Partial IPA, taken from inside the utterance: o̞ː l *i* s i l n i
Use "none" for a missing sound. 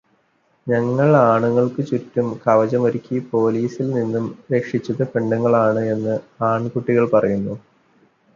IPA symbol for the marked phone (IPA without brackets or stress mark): iː